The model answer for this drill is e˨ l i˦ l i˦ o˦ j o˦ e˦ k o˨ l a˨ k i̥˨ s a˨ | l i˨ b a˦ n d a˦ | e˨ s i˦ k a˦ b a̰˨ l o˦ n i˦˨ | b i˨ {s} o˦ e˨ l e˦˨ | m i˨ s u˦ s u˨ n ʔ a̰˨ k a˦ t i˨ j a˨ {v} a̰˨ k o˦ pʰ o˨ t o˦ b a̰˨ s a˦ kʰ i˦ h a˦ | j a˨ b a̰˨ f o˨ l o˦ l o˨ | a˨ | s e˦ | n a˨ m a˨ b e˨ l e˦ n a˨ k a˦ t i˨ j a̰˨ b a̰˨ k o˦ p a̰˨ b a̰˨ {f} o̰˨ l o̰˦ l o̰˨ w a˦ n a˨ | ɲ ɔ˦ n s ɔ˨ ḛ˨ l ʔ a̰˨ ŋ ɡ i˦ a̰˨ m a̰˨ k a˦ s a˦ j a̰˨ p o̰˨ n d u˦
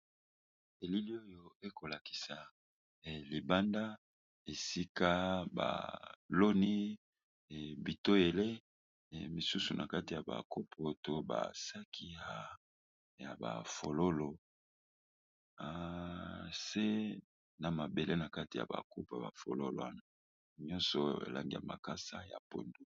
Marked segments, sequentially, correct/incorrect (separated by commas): incorrect, incorrect, correct